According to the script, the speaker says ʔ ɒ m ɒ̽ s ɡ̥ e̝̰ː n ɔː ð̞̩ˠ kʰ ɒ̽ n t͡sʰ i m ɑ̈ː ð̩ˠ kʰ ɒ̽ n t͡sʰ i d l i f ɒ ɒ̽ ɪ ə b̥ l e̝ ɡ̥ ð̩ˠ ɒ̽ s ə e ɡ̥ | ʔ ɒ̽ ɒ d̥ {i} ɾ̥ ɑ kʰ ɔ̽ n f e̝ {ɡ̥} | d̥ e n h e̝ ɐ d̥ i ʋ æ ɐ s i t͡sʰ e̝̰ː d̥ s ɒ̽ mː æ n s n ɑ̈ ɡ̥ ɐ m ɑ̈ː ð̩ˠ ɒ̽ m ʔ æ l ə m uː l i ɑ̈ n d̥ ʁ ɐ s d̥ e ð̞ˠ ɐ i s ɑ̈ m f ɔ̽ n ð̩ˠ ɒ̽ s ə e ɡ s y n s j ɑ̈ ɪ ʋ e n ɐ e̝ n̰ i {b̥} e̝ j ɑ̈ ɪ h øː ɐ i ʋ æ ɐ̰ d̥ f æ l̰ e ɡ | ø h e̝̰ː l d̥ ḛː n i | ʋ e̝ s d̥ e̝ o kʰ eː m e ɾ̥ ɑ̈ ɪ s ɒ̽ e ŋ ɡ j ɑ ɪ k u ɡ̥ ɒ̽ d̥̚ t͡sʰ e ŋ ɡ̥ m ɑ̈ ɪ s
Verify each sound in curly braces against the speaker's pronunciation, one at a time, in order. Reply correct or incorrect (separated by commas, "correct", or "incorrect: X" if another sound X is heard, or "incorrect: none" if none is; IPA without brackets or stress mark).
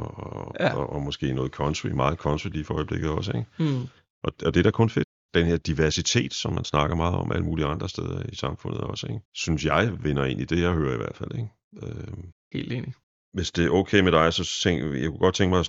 incorrect: e, incorrect: d̥, incorrect: d̥